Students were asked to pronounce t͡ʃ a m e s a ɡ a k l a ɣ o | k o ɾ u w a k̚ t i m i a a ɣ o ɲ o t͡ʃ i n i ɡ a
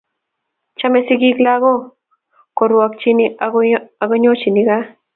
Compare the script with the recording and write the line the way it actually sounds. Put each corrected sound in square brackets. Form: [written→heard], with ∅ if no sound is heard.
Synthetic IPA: t͡ʃ a m e s [a→i] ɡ [a→i] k l a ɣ o | k o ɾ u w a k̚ [t→t͡ʃ] i [m→n] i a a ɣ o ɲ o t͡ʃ i n i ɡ a